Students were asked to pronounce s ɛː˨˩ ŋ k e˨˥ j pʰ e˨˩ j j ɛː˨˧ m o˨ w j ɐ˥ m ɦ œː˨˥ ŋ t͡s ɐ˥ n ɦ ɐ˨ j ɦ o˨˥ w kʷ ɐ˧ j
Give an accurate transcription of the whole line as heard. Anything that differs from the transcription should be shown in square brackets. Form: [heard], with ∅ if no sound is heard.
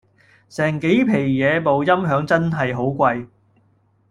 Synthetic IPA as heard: s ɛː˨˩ ŋ k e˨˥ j pʰ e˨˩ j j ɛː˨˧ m o˨ w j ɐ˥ m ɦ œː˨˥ ŋ t͡s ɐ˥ n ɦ ɐ˨ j ɦ o˨˥ w kʷ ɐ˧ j

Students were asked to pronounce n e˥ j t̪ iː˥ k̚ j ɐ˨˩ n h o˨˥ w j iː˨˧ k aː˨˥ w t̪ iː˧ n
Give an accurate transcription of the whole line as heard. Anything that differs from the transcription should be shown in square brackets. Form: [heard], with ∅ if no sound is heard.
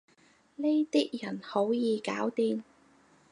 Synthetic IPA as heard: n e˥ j t̪ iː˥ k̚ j ɐ˨˩ n h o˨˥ w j iː˨˧ k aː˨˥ w t̪ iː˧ n

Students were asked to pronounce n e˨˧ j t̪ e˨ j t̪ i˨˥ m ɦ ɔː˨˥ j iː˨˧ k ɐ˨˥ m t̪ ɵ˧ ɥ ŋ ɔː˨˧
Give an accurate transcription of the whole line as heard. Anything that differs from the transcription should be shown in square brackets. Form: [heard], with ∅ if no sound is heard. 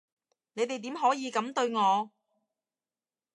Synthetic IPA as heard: n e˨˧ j t̪ e˨ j t̪ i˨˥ m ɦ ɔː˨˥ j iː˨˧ k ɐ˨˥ m t̪ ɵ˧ ɥ ŋ ɔː˨˧

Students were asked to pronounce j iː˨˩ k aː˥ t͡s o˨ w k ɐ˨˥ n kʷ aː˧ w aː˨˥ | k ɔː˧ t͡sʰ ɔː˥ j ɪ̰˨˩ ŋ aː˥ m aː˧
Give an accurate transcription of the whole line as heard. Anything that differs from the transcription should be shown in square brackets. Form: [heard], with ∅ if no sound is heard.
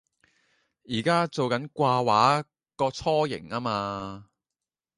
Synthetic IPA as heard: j iː˨˩ k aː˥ t͡s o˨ w k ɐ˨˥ n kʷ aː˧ w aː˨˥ | k ɔː˧ t͡sʰ ɔː˥ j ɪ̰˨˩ ŋ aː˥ m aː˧

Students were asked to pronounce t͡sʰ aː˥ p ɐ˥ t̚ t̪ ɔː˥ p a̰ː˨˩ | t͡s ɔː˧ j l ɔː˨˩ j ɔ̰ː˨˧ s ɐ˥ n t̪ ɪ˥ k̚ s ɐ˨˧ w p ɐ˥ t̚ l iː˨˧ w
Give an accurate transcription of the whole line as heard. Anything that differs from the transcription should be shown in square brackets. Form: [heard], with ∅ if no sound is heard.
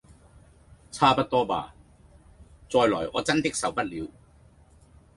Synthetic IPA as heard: t͡sʰ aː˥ p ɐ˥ t̚ t̪ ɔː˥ p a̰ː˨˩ | t͡s ɔː˧ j l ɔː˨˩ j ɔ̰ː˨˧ [t͡s] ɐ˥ n t̪ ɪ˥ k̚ s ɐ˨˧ w p ɐ˥ t̚ l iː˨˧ w

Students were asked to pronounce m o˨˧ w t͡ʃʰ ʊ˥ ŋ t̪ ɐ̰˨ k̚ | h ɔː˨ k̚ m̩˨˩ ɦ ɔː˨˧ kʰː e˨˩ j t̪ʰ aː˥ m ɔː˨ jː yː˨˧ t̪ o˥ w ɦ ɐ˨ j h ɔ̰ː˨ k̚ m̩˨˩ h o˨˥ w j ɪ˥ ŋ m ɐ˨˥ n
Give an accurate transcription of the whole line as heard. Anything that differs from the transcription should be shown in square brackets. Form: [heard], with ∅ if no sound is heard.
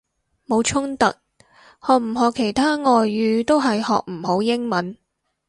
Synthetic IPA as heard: m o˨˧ w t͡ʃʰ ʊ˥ ŋ t̪ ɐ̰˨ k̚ | h ɔː˨ k̚ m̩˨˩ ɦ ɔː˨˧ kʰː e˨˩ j t̪ʰ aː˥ [ŋ] ɔː˨ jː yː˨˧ t̪ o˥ w ɦ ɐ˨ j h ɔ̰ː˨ k̚ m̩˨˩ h o˨˥ w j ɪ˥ ŋ m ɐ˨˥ n

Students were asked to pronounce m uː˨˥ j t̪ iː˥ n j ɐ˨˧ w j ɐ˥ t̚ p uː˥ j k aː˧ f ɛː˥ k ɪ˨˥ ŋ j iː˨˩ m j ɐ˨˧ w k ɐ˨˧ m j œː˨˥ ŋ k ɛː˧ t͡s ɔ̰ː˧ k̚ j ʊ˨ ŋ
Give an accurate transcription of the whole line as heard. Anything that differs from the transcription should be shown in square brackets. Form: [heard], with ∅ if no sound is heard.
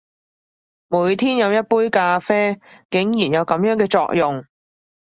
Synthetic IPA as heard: m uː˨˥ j [t̪ʰ] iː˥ n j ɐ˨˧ w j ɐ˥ t̚ p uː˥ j k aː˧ f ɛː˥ k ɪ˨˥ ŋ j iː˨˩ [n] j ɐ˨˧ w k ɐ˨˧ m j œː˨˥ ŋ k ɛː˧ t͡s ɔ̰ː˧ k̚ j ʊ˨ ŋ

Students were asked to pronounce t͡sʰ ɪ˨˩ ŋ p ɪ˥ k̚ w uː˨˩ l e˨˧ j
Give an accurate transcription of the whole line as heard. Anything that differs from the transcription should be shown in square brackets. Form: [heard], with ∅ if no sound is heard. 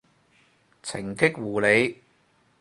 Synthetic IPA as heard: t͡sʰ ɪ˨˩ ŋ [k] ɪ˥ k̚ w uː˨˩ l e˨˧ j

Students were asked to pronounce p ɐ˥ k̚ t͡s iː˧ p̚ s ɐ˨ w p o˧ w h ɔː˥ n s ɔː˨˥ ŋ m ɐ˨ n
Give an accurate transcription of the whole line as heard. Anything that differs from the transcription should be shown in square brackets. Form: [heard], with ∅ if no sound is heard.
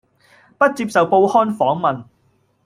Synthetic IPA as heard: p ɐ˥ [t̚] t͡s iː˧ p̚ s ɐ˨ w p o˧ w h ɔː˥ n [f] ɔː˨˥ ŋ m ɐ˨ n

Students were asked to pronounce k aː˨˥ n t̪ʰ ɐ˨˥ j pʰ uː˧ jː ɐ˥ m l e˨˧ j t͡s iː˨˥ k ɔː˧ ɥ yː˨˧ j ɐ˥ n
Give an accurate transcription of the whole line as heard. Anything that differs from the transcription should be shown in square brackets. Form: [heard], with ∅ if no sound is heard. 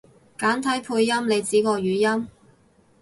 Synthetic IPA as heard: k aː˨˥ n t̪ʰ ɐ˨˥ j pʰ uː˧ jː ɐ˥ m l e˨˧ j t͡s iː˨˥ k ɔː˧ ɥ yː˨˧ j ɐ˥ [m]

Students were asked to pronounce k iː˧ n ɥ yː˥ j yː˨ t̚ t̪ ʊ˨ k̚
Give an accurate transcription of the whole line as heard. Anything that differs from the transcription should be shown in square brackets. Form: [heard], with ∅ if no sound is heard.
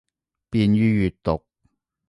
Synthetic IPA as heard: [p] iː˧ n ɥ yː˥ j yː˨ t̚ t̪ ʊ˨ k̚

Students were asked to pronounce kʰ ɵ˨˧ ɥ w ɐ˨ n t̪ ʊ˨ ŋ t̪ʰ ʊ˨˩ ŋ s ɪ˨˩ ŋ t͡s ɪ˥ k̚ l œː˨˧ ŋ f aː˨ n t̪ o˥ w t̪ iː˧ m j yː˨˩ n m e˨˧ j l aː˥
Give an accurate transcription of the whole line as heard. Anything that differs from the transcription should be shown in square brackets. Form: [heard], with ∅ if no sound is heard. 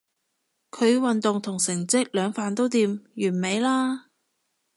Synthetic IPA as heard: kʰ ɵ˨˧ ɥ w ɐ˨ n t̪ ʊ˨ ŋ t̪ʰ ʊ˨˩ ŋ s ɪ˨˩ ŋ t͡s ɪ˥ k̚ l œː˨˧ ŋ f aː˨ n t̪ o˥ w t̪ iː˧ m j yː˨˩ n m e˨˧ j l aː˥

